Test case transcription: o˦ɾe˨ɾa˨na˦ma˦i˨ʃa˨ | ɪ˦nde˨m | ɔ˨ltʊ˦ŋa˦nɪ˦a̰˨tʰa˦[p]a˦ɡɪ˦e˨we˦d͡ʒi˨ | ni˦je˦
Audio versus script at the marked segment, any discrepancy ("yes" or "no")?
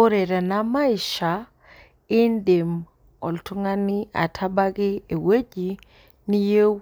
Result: yes